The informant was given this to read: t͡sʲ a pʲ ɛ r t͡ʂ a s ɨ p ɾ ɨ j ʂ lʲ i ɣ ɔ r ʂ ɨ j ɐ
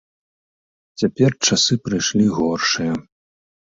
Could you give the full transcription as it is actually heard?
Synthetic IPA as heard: t͡sʲ a pʲ ɛ r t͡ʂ a s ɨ p ɾ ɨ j ʂ lʲ i ɣ ɔ r ʂ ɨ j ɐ